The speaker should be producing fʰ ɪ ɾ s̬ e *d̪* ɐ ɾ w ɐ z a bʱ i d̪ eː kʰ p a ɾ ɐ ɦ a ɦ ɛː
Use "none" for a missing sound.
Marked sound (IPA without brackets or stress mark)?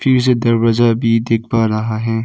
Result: d̪